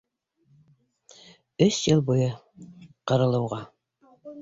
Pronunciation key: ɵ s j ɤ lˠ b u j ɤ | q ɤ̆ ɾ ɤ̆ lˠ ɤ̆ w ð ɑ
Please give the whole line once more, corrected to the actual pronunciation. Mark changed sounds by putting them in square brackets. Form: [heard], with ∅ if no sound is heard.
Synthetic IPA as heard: ɵ s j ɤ lˠ b u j ɤ | q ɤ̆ ɾ ɤ̆ lˠ ɤ̆ w [ʁ] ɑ